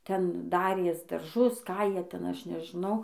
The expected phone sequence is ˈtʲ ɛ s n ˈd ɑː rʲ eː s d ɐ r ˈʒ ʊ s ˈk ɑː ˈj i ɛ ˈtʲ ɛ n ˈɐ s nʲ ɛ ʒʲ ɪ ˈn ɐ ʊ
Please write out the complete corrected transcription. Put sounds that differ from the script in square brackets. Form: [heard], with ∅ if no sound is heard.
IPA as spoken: ˈtʲ ɛ [∅] n ˈd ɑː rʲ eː s d ɐ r ˈʒ ʊ s ˈk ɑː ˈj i ɛ ˈtʲ ɛ n ˈɐ [ʃ] nʲ ɛ ʒʲ ɪ ˈn ɐ ʊ